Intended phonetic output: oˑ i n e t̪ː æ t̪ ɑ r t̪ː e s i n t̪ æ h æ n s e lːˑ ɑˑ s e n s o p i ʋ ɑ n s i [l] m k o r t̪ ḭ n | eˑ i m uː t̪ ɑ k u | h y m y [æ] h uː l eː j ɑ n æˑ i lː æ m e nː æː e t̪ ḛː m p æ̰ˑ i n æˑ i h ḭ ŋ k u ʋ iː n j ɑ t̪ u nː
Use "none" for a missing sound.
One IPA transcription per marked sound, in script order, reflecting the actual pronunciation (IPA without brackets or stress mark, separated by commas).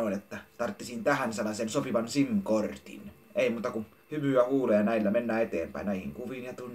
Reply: none, æ